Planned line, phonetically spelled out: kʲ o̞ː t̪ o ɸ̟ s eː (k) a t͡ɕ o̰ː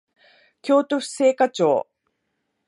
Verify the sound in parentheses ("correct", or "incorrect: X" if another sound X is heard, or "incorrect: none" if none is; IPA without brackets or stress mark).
correct